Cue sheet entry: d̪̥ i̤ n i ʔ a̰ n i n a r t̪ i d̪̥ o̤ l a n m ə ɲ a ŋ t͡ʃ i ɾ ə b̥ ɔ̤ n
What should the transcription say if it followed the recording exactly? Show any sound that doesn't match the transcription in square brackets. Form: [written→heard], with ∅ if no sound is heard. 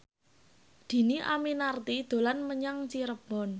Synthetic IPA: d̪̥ i̤ n i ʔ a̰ [n→m] i n a r t̪ i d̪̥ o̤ l a n m ə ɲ a ŋ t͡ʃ i ɾ ə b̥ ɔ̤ n